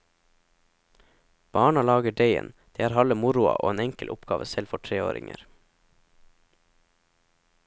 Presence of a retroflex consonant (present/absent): present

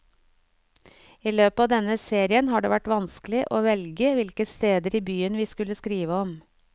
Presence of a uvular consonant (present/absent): absent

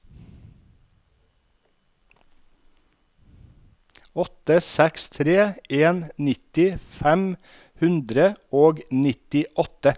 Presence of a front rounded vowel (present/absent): absent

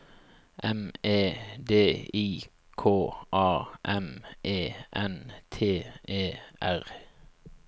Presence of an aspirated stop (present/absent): present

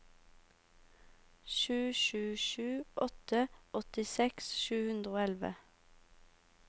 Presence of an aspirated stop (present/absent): absent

